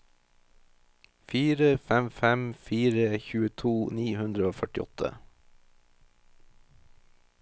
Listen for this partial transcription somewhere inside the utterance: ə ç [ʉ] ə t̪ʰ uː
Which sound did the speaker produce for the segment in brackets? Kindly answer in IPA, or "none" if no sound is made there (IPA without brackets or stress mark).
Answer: ʉː